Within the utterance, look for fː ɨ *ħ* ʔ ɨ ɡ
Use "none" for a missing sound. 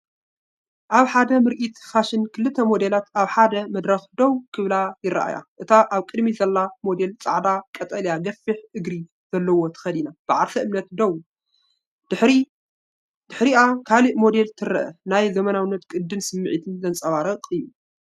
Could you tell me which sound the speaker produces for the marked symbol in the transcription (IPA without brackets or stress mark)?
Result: ħ